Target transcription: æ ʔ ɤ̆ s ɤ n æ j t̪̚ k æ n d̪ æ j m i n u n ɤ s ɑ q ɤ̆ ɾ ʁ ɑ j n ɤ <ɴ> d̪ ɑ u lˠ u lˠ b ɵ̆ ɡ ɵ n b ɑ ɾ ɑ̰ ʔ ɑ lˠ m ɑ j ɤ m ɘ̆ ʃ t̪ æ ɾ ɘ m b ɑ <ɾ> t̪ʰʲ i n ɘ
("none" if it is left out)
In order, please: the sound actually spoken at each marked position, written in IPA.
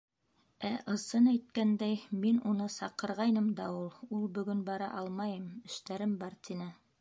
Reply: m, ɾ

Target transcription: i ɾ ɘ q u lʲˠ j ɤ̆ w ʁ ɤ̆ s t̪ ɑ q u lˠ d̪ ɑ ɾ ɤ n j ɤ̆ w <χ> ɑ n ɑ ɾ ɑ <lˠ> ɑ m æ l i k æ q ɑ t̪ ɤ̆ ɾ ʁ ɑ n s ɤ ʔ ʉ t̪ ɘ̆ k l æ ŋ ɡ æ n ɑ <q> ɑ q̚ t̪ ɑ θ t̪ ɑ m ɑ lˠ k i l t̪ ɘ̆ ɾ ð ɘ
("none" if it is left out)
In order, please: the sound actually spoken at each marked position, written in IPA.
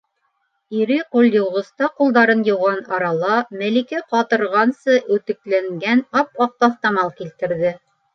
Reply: ʁ, lˠ, p

